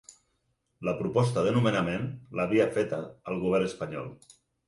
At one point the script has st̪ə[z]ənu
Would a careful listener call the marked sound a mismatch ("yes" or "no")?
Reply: yes